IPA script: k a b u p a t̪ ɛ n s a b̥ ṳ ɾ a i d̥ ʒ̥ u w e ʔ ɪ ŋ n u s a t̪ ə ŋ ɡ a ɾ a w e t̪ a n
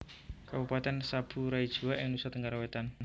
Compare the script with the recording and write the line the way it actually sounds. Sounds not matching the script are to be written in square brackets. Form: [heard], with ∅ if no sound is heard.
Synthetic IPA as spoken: k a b u p a t̪ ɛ n s a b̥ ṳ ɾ a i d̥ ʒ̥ u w [a] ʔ ɪ ŋ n u s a t̪ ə ŋ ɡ a ɾ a w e t̪ a n